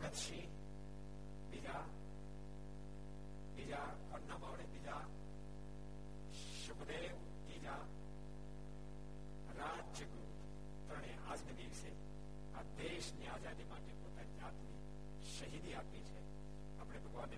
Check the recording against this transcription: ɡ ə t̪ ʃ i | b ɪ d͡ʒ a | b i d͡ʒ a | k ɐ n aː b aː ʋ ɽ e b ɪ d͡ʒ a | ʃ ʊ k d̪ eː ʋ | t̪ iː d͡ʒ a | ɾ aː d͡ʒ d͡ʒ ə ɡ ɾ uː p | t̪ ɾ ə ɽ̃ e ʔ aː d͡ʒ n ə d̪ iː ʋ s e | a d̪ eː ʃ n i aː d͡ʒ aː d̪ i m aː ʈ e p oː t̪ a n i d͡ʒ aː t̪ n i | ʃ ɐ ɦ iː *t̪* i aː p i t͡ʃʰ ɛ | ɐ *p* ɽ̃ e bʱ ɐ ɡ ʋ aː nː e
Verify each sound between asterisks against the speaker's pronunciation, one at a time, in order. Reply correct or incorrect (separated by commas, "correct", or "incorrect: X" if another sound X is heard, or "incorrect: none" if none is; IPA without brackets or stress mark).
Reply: incorrect: d̪, correct